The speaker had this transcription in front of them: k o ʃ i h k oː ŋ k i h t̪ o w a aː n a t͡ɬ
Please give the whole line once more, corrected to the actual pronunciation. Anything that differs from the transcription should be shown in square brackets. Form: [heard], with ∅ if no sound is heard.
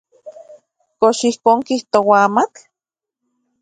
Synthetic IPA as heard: k o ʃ i h k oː ŋ k i h t̪ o w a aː [m] a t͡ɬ